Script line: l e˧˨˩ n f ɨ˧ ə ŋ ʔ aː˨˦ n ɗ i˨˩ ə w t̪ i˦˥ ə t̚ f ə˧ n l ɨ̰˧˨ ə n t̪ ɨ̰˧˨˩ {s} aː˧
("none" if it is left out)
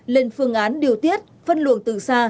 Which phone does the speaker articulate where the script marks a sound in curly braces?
s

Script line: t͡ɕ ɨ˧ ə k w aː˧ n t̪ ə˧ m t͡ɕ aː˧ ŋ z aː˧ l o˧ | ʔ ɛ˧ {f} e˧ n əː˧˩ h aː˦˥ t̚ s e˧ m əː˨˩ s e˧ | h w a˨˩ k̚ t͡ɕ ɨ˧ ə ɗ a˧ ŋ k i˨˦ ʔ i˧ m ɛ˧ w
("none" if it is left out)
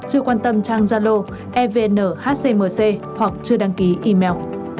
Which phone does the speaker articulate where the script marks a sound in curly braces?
v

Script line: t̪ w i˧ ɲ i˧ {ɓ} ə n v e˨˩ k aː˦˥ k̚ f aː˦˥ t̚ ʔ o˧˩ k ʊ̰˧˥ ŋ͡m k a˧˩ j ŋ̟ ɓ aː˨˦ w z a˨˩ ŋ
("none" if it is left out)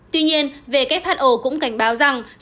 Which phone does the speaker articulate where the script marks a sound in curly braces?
none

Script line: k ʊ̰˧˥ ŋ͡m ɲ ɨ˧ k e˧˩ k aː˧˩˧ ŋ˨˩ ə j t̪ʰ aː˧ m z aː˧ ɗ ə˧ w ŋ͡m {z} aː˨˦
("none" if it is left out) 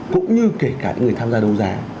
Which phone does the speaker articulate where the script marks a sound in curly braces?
z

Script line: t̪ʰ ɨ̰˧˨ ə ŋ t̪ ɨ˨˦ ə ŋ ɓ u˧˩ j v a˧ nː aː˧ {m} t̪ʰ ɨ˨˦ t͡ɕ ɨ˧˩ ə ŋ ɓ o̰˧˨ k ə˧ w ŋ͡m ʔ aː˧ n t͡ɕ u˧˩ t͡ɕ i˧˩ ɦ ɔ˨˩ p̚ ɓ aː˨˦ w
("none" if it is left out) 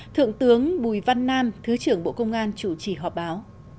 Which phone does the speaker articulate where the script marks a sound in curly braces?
m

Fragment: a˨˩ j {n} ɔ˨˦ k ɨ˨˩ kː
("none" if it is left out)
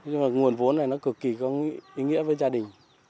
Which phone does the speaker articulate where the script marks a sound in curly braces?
n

